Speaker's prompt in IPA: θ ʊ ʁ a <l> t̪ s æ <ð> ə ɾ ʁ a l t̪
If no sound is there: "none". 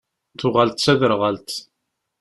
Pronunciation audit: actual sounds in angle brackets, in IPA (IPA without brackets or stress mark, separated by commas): l, ð